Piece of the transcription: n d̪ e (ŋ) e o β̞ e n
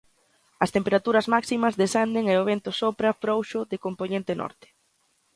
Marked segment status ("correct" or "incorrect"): correct